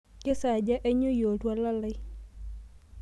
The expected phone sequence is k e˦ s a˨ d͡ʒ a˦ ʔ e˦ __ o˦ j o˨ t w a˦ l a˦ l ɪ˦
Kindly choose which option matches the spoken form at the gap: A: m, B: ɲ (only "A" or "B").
B